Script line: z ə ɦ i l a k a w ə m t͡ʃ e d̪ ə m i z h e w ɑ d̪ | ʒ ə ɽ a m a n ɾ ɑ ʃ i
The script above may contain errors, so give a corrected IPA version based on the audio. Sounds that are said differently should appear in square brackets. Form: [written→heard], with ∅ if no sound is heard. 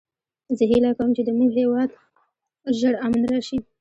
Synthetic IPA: z ə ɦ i l a k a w ə m t͡ʃ e d̪ ə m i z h e w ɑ d̪ | ʒ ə ɽ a m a n ɾ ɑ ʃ i